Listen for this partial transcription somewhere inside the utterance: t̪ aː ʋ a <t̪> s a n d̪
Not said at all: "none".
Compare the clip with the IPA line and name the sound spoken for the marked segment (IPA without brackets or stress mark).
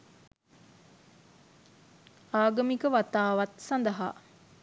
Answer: t̪